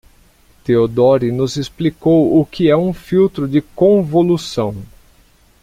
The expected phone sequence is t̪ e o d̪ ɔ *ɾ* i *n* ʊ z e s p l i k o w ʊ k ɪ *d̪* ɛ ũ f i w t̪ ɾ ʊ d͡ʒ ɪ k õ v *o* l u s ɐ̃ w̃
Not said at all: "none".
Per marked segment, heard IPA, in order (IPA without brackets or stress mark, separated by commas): ɾ, n, none, o